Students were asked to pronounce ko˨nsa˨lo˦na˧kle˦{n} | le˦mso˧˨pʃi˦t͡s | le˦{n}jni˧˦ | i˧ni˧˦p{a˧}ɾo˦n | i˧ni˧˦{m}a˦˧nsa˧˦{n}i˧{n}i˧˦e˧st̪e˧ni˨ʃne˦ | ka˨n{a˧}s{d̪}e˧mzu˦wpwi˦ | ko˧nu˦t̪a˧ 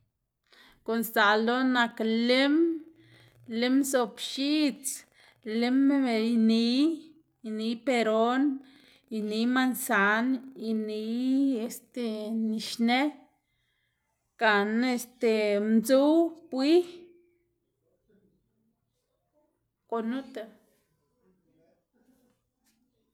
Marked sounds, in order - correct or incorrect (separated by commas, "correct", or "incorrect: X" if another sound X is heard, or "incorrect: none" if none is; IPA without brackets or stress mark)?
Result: incorrect: m, incorrect: m, incorrect: e˧, correct, correct, correct, incorrect: e˧, incorrect: t̪